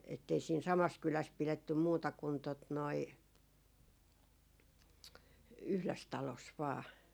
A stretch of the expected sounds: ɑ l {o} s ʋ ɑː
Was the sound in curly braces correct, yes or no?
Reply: yes